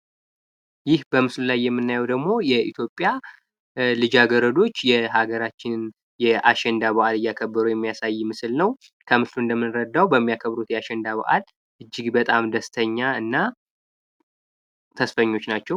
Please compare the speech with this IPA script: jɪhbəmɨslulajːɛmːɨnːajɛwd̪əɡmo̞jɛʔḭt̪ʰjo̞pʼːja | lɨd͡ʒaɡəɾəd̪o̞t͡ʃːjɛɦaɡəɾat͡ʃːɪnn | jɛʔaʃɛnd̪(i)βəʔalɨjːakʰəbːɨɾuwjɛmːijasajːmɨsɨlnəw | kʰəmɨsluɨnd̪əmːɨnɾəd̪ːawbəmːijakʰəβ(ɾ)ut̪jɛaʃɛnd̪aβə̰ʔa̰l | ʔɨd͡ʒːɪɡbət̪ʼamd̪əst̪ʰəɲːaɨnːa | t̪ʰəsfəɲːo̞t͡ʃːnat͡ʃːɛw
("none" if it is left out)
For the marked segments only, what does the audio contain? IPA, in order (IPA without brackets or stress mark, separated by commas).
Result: a, ɾ